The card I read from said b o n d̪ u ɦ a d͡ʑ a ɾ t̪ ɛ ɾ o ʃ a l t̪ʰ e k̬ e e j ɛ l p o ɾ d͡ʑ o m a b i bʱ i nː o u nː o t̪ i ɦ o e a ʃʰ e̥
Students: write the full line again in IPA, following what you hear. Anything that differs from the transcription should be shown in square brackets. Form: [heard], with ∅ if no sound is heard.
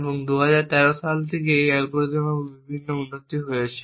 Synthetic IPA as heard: b o [ŋ] d̪ u ɦ a d͡ʑ a ɾ t̪ ɛ ɾ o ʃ a l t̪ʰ e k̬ e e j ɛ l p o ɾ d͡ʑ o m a b i bʱ i nː o u nː o t̪ i ɦ o e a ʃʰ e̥